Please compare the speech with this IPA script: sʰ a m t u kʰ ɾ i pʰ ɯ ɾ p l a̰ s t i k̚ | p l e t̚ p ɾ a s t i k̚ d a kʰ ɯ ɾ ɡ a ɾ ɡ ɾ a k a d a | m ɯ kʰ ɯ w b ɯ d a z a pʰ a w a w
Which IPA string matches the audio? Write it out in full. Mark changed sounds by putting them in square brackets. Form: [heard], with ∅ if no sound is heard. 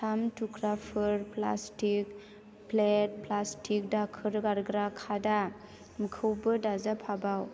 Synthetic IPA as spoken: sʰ a m t u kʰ ɾ [a] pʰ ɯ ɾ p l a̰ s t i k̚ | p l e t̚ p [l] a s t i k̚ d a kʰ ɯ ɾ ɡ a ɾ ɡ ɾ a [kʰ] a d a | m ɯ kʰ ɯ w b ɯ d a z a pʰ a [b] a w